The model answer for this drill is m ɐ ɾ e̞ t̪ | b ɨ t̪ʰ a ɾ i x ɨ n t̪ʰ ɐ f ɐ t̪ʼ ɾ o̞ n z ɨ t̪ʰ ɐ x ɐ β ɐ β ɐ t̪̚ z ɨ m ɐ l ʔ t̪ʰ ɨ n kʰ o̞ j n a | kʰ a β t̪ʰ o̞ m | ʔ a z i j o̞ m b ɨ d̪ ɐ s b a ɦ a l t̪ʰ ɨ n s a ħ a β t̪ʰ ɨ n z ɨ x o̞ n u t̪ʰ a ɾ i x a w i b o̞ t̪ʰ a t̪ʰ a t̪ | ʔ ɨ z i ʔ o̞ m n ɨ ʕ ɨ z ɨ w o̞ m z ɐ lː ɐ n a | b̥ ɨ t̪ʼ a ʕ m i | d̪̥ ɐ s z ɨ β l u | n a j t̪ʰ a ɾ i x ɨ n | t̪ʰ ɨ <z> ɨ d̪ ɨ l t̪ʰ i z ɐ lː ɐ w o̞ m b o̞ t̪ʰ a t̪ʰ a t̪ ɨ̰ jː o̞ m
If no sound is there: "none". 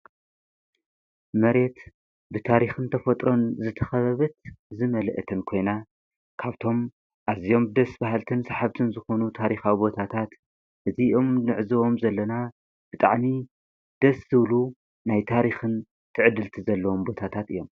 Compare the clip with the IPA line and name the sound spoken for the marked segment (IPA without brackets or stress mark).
ʕ